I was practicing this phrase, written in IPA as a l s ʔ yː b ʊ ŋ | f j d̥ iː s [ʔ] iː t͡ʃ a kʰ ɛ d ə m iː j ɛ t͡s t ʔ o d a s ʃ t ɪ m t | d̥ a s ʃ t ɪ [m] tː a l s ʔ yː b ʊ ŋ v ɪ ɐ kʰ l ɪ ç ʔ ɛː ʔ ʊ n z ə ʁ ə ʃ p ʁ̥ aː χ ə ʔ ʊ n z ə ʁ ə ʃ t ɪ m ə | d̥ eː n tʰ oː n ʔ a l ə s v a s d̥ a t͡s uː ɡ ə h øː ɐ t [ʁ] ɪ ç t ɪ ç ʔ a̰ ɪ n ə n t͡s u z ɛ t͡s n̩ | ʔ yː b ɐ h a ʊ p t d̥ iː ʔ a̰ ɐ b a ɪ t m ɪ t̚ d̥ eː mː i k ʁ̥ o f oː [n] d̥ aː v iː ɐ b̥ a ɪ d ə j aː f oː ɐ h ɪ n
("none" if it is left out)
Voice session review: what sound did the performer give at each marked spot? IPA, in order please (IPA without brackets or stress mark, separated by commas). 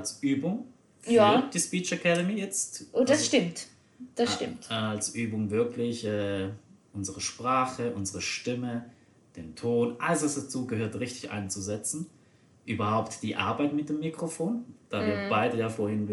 p, m, ʁ, n